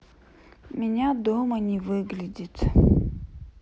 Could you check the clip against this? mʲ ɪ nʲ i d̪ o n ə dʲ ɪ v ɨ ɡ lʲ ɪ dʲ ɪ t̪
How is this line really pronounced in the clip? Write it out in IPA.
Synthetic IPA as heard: mʲ ɪ nʲ a d̪ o m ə nʲ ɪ v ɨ ɡ lʲ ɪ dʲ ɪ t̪